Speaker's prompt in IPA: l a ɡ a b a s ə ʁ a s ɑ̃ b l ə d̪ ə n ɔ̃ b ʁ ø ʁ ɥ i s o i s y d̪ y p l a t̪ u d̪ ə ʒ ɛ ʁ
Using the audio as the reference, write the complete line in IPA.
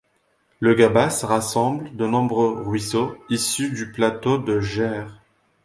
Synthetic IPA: l ə ɡ a b a s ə ʁ a s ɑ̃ b l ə d̪ ə n ɔ̃ b ʁ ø ʁ ɥ i s o i s y d̪ y p l a t̪ o d̪ ə ʒ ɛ ʁ